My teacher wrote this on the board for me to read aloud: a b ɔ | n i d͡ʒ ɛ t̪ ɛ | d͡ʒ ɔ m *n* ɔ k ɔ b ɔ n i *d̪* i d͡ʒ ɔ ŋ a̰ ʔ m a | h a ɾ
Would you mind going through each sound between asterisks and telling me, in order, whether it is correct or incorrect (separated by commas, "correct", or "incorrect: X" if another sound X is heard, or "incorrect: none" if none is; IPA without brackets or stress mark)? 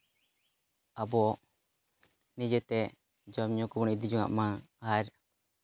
incorrect: ɲ, correct